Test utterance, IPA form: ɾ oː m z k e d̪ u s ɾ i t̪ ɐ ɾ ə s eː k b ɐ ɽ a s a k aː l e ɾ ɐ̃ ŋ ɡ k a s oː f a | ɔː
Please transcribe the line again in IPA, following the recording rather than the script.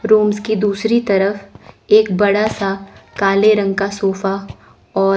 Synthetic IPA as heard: ɾ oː m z k i d̪ uː s ɾ i t̪ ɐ ɾ ə f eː k b ɐ ɽ a s a k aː l e ɾ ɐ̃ ŋ ɡ k a s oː f a | ɔː